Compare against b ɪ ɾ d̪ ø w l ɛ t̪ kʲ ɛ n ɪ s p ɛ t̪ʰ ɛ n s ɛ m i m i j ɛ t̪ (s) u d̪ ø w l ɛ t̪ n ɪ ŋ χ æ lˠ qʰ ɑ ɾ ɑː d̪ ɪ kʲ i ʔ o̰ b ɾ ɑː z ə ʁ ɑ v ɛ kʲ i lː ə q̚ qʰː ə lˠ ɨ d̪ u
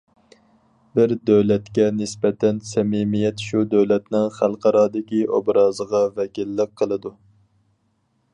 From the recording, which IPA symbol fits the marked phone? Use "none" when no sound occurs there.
ʃ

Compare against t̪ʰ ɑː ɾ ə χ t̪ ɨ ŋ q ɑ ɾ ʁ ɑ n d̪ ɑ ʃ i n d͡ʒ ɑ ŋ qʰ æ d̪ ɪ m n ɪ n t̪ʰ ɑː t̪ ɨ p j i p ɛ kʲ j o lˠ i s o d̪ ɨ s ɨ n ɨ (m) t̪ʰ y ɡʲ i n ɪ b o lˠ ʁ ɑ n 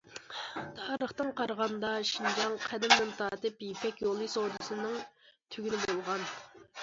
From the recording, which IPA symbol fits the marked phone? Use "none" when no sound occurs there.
ŋ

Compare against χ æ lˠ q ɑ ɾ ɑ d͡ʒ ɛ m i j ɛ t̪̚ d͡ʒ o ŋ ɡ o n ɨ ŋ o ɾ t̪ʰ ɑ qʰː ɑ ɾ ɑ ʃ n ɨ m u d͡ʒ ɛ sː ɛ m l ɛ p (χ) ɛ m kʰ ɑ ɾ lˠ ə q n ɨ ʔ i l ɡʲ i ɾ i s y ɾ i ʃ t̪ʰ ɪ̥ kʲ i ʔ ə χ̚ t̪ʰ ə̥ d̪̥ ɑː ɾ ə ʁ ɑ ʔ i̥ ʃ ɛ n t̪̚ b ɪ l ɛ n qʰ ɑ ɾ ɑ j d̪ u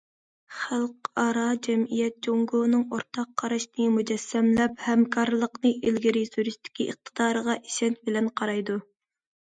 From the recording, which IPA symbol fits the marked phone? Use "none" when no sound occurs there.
h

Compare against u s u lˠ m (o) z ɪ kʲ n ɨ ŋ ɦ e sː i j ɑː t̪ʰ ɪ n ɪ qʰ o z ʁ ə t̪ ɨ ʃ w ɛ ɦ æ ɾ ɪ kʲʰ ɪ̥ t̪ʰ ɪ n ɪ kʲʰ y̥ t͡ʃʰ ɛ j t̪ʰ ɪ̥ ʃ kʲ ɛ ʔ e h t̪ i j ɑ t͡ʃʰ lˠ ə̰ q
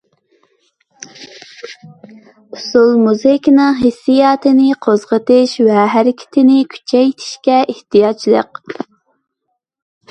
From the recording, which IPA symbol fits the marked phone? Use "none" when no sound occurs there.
u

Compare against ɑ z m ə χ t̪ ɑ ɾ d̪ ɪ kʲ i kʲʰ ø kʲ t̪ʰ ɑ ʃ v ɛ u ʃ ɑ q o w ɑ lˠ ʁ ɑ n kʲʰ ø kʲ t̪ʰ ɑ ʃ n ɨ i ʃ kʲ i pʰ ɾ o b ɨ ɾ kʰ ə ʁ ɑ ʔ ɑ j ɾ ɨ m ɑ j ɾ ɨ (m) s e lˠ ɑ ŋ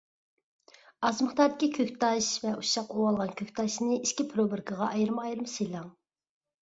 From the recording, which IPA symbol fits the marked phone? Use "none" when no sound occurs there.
m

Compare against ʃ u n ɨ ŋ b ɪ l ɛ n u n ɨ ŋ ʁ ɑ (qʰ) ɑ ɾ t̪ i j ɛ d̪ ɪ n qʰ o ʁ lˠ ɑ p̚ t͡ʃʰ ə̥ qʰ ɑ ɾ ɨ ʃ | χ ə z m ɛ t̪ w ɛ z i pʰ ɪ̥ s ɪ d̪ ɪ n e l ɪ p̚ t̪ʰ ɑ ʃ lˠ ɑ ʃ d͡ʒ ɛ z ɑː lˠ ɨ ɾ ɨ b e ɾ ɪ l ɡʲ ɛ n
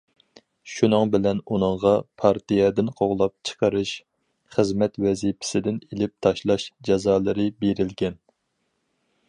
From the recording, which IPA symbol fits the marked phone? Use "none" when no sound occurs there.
pʰ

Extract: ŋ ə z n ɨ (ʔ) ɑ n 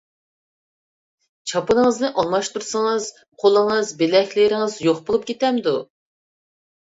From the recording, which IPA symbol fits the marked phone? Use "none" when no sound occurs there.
ʔ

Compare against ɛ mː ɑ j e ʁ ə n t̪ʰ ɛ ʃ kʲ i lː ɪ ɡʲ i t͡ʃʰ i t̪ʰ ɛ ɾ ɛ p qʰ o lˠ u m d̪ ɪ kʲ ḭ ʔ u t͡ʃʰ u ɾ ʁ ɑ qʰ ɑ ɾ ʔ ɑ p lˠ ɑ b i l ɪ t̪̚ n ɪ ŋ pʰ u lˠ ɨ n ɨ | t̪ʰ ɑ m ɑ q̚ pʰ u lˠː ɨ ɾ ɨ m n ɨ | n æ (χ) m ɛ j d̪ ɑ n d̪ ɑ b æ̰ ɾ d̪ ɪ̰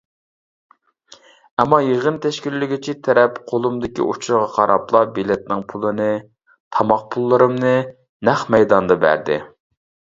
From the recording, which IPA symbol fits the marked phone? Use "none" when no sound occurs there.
χ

